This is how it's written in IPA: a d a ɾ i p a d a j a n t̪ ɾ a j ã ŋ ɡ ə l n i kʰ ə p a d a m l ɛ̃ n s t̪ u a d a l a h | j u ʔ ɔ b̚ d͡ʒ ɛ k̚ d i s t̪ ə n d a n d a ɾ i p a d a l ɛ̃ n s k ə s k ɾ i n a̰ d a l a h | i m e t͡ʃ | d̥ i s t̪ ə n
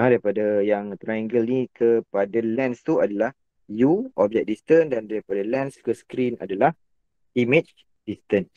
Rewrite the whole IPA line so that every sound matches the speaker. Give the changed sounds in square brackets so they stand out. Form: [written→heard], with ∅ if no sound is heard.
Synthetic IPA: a d a ɾ i p a d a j a [n→ŋ] t̪ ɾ a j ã ŋ ɡ ə l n i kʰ ə p a d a [m→∅] l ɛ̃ n s t̪ u a d a l a h | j u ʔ ɔ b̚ d͡ʒ ɛ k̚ d i s t̪ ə n d a n d a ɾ i p a d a l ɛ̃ n s k ə s k ɾ i n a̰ d a l a h | i m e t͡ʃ | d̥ i s t̪ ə n